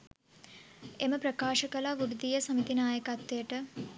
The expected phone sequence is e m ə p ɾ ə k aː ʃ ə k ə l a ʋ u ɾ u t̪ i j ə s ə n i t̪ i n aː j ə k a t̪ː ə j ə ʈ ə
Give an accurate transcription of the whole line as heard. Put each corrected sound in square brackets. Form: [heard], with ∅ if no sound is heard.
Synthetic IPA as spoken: e m ə p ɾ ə k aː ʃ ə k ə l a ʋ u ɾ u [d̪] i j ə s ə [m] i t̪ i n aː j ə k a t̪ː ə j ə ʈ ə